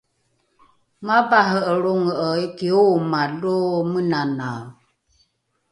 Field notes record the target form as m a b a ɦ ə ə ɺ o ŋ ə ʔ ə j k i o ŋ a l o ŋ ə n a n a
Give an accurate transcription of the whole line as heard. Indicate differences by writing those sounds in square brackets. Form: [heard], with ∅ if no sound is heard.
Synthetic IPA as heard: m a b a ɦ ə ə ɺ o ŋ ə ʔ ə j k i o [m] a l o [m] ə n a n a